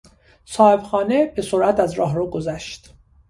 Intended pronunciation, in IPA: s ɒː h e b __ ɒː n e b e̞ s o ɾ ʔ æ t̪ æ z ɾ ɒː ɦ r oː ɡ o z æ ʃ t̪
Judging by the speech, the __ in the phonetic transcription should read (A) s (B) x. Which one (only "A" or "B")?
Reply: B